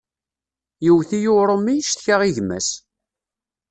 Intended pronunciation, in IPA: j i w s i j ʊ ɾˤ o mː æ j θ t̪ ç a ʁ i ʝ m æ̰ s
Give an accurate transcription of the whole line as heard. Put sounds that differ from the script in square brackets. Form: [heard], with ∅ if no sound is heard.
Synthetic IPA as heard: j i w [θ] i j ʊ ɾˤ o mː [i] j [ʃ] t̪ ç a ʁ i ʝ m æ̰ s